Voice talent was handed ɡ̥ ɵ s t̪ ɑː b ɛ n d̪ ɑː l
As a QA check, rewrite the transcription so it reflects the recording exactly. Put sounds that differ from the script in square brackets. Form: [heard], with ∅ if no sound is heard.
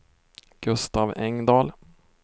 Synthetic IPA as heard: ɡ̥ ɵ s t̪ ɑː [v] ɛ [ŋ] d̪ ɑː l